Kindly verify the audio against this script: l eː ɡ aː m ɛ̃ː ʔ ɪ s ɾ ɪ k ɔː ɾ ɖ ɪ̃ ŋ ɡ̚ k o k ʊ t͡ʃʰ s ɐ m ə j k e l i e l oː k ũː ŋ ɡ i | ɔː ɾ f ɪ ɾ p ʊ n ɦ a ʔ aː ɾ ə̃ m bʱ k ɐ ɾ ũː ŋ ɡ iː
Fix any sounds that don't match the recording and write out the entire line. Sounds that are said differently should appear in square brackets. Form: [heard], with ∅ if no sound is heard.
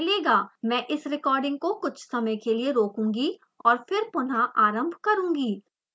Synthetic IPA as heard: l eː ɡ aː m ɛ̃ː ʔ ɪ s ɾ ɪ k ɔː ɾ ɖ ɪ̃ ŋ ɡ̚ k o k ʊ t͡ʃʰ s ɐ m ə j k e l i e [ɾ] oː k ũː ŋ ɡ i | ɔː ɾ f ɪ ɾ p ʊ n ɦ a ʔ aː ɾ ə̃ m bʱ k ɐ ɾ ũː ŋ ɡ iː

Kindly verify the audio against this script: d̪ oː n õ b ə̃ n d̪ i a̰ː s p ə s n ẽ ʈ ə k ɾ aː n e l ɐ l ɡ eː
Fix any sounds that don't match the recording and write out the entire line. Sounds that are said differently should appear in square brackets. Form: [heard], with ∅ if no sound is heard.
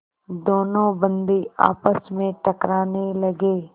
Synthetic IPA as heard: d̪ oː n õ b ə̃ n d̪ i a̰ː [∅] p ə s [m] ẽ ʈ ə k ɾ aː n e l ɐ [∅] ɡ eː

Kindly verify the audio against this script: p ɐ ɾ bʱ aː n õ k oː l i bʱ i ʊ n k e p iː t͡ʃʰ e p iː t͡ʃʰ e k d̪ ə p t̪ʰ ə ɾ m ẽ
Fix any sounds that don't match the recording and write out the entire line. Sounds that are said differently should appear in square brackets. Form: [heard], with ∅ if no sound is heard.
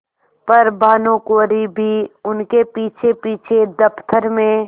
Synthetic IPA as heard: p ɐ ɾ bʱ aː n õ k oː [ɾ] i bʱ i ʊ n k e p iː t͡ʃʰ e p iː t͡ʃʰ e [∅] d̪ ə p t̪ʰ ə ɾ m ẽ

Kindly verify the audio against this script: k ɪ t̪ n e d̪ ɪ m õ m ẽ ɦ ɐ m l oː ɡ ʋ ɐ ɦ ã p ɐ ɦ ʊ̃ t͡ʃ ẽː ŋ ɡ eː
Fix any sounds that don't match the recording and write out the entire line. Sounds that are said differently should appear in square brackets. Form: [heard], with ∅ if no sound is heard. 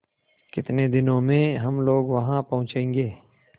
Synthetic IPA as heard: k ɪ t̪ n e d̪ ɪ [n] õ m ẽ ɦ ɐ m l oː ɡ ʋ ɐ ɦ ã p ɐ ɦ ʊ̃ t͡ʃ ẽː ŋ ɡ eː

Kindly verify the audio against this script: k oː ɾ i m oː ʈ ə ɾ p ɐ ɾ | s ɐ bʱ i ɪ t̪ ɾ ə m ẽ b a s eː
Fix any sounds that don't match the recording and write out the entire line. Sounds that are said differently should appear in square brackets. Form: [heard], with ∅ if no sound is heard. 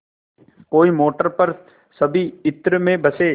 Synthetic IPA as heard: k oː [∅] i m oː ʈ ə ɾ p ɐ ɾ | s ɐ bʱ i ɪ t̪ ɾ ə m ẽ b [ɐ] s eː

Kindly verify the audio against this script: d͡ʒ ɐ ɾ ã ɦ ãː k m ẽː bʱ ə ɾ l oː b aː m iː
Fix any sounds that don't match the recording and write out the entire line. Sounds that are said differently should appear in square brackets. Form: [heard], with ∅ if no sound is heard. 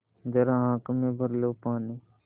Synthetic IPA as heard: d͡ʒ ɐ ɾ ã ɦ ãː k m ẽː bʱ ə ɾ l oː [p] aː [n] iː

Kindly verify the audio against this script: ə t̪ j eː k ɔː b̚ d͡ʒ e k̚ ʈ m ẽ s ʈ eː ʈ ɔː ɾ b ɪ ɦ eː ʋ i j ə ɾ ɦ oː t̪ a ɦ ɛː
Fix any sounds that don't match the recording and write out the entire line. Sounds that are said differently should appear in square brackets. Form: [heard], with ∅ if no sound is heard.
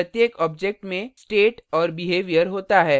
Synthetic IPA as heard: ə t̪ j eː k ɔː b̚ d͡ʒ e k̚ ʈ m ẽ s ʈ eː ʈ ɔː ɾ b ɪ ɦ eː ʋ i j ə ɾ ɦ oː t̪ a ɦ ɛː

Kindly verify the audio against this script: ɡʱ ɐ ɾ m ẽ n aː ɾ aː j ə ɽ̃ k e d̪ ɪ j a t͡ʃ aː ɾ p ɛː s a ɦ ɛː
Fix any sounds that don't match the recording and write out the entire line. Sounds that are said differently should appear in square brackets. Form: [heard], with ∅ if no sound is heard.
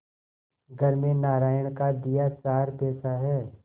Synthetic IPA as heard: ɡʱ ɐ ɾ m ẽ n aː ɾ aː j ə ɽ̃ k [a] d̪ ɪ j a t͡ʃ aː ɾ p ɛː s a ɦ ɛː

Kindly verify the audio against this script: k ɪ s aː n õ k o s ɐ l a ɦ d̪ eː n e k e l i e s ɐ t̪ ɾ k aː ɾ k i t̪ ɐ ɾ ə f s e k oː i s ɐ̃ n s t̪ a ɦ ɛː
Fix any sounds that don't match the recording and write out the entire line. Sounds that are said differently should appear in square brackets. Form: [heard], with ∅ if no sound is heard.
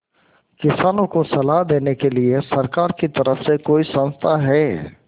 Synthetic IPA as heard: k ɪ s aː n õ k o s ɐ l a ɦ d̪ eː n e k e l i e s ɐ [∅] ɾ k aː ɾ k i t̪ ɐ ɾ ə f s e k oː i s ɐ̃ n s [t̪ʰ] a ɦ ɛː

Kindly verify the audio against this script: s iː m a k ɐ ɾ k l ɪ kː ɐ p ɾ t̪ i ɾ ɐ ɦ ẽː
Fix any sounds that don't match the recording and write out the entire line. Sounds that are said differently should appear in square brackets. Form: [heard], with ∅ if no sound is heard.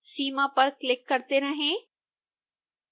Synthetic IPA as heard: s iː m a [p] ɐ ɾ k l ɪ kː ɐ [∅] ɾ t̪ [e] ɾ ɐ ɦ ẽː

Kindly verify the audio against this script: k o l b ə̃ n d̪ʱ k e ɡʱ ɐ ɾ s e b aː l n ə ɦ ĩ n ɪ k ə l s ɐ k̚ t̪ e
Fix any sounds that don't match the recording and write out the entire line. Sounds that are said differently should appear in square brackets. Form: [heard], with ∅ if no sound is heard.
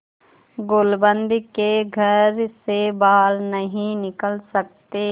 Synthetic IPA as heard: [ɡ] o l b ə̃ n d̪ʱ k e ɡʱ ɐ ɾ s e b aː l n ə ɦ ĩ n ɪ k ə l s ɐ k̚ t̪ e

